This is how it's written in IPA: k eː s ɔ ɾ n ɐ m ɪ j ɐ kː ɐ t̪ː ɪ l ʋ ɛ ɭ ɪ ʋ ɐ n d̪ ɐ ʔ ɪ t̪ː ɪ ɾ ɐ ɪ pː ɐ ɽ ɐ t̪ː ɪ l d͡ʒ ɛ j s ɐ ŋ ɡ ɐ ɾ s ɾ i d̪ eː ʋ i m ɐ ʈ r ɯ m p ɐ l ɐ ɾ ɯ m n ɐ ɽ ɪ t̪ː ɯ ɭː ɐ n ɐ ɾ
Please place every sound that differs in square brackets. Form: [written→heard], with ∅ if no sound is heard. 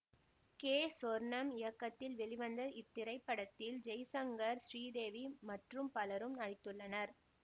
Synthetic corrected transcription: k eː s ɔ ɾ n ɐ m ɪ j ɐ kː ɐ t̪ː ɪ l ʋ ɛ ɭ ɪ ʋ ɐ n d̪ ɐ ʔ ɪ t̪ː ɪ ɾ ɐ ɪ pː ɐ ɽ ɐ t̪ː ɪ l d͡ʒ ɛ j s ɐ ŋ ɡ ɐ ɾ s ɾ [i→iː] d̪ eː ʋ i m ɐ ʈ r ɯ m p ɐ l ɐ ɾ ɯ m n ɐ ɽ ɪ t̪ː ɯ ɭː ɐ n ɐ ɾ